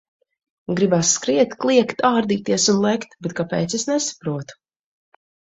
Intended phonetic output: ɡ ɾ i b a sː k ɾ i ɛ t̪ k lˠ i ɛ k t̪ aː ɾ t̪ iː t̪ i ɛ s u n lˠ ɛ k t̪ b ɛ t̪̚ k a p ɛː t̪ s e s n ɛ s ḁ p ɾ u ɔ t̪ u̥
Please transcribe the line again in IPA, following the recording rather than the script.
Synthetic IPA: ɡ ɾ i b a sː k ɾ i ɛ t̪ k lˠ i ɛ k t̪ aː ɾ d̪ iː t̪ i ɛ s u n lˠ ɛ k t̪ b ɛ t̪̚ k a p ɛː t̪ s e s n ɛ s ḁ p ɾ u ɔ t̪ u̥

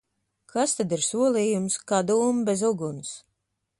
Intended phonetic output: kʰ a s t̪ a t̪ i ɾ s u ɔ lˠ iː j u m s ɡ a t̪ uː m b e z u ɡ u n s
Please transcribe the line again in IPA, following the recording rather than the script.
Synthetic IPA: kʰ a s t̪ a d̪ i ɾ s u ɔ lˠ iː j u m s k a d̪ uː m b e z u ɡ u n s

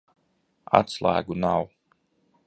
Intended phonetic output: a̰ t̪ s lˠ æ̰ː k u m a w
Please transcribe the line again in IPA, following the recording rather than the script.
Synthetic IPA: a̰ t̪ s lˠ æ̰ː ɡ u n a w

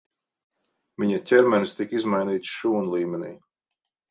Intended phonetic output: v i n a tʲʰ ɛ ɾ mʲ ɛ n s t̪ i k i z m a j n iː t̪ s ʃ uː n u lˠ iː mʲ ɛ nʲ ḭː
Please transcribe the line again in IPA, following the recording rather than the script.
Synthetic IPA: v i ɲ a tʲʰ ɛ ɾ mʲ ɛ n s t̪ i k i z m a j n iː t̪ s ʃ uː n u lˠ iː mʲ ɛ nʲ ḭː

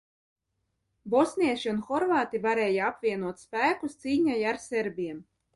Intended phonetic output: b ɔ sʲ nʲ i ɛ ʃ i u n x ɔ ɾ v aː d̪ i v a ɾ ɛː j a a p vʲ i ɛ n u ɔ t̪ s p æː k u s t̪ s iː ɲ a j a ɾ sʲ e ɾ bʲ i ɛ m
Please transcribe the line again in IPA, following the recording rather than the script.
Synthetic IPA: b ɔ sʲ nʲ i ɛ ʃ i u n x ɔ ɾ v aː t̪ i v a ɾ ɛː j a a p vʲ i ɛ n u ɔ t̪ s p æː k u s t̪ s iː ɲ a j a ɾ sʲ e ɾ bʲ i ɛ m

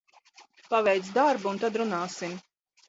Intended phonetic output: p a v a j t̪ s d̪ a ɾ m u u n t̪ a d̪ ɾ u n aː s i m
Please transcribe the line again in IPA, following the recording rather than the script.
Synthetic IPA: p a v ɛ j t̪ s d̪ a ɾ b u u n t̪ a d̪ ɾ u n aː s i m

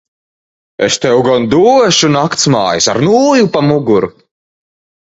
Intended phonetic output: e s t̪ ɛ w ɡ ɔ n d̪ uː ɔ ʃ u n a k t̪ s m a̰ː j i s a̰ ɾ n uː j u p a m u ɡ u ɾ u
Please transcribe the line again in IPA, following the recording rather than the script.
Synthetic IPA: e s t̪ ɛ w ɡ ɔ n d̪ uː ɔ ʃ u n a k t̪ s m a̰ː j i s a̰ ɾ n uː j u p a m u ɡ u ɾ u

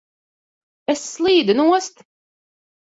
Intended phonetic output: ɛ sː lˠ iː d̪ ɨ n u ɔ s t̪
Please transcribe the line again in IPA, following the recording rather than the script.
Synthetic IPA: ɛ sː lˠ iː d̪ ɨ n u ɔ s t̪

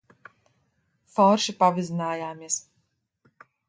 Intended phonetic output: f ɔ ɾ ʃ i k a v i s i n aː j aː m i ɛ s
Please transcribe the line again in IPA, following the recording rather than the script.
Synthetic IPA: f ɔ ɾ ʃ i p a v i z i n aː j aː m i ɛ s

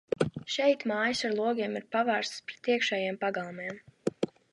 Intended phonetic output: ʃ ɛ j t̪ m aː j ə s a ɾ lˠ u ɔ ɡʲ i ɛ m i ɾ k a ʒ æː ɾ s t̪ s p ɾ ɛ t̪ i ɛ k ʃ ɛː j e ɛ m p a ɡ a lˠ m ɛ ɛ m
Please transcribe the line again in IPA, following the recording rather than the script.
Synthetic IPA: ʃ ɛ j t̪ m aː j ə s a ɾ lˠ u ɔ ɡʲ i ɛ m i ɾ p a v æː ɾ s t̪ s p ɾ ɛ t̪ i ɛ k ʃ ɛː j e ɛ m p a ɡ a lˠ m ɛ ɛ m

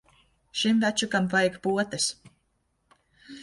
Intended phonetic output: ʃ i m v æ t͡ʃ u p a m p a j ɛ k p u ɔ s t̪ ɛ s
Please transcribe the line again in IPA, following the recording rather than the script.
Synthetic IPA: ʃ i m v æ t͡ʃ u k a m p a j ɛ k p u ɔ t̪ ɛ s

